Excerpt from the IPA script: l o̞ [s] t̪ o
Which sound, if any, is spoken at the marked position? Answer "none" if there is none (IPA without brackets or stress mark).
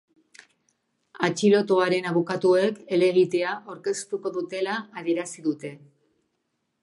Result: none